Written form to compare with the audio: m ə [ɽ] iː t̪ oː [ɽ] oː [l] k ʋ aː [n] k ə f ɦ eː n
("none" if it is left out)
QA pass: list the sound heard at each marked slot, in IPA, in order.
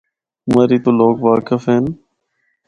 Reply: ɾ, l, none, none

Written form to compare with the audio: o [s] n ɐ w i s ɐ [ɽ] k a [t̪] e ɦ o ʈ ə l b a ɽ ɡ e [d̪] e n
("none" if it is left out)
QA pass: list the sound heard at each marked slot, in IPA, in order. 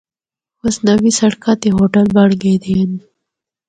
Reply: s, ɽ, t̪, d̪

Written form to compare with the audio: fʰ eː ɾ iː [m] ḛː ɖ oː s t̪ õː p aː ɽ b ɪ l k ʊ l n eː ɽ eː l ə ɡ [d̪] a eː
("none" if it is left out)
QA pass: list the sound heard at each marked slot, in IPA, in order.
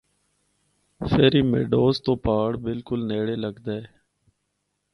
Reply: m, d̪

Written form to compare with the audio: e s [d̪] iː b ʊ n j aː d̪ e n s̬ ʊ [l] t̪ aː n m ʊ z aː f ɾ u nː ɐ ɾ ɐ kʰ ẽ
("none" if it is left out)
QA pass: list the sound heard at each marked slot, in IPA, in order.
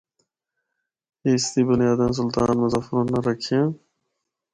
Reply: t̪, l

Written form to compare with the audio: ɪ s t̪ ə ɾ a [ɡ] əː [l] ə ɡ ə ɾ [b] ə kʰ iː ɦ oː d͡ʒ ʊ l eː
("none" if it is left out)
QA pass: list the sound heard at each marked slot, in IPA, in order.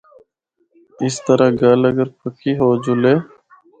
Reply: ɡ, l, p

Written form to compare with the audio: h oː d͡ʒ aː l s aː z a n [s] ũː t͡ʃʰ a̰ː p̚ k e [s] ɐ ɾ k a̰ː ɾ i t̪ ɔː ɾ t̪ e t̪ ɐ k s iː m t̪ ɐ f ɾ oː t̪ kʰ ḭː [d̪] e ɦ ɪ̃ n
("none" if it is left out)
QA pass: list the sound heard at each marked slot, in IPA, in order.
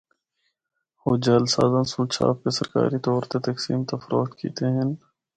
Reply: s, s, t̪

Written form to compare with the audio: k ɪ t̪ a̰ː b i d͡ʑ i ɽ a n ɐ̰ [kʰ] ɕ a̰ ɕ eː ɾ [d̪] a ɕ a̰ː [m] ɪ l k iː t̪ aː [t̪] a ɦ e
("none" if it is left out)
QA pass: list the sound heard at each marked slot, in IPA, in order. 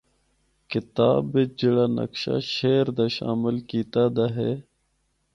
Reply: k, d̪, m, d̪

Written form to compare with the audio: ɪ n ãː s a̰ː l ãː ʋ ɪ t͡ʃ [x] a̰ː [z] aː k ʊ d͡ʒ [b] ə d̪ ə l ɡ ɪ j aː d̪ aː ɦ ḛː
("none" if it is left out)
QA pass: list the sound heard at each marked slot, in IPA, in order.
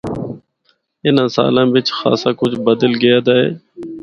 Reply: x, s, b

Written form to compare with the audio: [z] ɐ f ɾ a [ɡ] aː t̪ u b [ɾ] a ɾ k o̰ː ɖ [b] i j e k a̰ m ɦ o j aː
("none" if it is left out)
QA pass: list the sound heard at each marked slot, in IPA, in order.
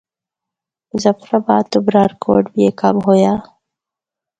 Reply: z, b, ɾ, b

